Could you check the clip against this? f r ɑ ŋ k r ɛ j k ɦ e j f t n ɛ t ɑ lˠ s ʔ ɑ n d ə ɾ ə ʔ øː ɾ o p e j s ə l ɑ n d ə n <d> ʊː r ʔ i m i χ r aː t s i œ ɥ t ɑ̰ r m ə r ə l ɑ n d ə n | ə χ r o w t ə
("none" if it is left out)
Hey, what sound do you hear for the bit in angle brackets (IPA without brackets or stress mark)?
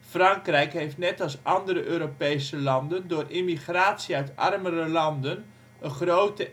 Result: d